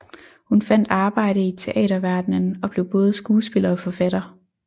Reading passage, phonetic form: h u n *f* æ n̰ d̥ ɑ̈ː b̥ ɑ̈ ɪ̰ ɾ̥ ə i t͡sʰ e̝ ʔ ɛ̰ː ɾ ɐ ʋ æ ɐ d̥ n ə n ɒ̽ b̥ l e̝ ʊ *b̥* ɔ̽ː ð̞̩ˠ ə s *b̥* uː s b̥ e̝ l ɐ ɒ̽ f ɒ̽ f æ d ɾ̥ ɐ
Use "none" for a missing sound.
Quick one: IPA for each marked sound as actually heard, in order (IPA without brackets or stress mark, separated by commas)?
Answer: f, b̥, ɡ̥